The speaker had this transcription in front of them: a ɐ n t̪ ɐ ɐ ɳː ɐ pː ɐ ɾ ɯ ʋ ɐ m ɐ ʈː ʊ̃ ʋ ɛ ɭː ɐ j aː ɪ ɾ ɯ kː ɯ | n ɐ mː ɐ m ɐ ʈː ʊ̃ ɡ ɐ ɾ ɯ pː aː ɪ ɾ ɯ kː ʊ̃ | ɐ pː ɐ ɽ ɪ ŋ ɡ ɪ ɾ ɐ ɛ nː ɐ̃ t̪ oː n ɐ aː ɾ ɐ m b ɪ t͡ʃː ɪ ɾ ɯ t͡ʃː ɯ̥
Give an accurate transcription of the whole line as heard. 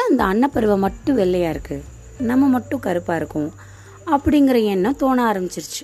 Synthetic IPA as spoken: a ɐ n d̪ ɐ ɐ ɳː ɐ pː ɐ ɾ ɯ ʋ ɐ m ɐ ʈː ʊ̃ ʋ ɛ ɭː ɐ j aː ɪ ɾ ɯ kː ɯ | n ɐ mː ɐ m ɐ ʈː ʊ̃ k ɐ ɾ ɯ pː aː ɪ ɾ ɯ kː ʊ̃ | ɐ pː ɐ ɽ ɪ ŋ ɡ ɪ ɾ ɐ ɛ nː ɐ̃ t̪ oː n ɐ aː ɾ ɐ m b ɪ t͡ʃː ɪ ɾ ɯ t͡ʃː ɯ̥